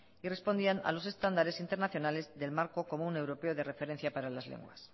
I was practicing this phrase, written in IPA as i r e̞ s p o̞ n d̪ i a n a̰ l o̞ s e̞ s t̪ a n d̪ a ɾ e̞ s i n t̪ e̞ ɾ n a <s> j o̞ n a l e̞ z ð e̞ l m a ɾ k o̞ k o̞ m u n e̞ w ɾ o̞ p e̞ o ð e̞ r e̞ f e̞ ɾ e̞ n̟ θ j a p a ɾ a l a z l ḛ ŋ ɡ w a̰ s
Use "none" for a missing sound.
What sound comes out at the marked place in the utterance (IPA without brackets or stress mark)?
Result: θ